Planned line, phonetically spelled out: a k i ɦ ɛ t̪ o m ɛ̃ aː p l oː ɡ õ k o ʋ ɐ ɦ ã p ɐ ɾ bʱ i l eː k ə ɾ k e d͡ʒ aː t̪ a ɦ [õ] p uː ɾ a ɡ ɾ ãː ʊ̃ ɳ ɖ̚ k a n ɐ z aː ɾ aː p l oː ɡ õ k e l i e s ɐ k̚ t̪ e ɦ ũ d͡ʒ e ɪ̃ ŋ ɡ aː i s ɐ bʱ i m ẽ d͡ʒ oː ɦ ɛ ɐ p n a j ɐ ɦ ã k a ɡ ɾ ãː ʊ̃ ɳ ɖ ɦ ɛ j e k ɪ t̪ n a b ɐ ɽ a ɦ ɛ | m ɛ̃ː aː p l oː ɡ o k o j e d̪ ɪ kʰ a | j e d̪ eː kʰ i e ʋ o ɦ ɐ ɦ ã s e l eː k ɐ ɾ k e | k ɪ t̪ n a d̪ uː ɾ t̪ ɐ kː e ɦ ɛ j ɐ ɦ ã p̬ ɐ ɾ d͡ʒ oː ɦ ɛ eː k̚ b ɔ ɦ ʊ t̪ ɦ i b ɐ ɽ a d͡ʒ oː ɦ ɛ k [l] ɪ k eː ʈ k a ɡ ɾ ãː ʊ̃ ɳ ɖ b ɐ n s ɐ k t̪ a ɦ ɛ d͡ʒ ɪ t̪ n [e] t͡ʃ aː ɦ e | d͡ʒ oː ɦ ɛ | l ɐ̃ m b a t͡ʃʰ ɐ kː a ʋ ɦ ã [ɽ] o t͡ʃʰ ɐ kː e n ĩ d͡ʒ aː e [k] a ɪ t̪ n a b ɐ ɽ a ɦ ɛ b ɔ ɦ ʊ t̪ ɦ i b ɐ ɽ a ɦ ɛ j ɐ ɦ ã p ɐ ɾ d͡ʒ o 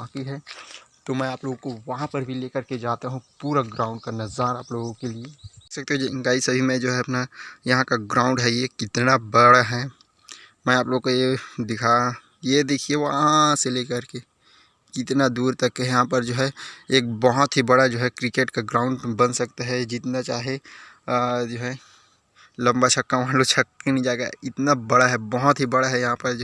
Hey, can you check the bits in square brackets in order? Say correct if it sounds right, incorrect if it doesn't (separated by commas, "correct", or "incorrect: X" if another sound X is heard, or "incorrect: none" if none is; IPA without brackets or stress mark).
incorrect: ũ, incorrect: ɾ, incorrect: a, incorrect: l, incorrect: ɡ